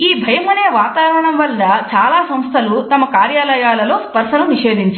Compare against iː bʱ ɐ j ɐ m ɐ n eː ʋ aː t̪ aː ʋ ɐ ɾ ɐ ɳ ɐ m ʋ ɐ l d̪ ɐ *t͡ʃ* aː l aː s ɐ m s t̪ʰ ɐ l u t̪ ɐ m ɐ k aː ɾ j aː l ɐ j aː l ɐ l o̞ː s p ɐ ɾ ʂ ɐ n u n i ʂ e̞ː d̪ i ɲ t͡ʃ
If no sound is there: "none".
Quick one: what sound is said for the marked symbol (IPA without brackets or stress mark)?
t͡ʃ